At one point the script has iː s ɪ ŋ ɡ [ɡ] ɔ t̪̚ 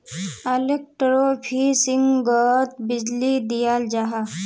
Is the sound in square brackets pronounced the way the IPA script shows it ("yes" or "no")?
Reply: yes